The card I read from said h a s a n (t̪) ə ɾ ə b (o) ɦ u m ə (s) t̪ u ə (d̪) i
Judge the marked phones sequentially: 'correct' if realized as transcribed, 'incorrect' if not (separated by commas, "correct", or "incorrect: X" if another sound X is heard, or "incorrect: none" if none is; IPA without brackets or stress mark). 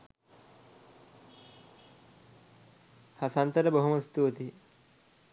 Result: correct, correct, correct, incorrect: t̪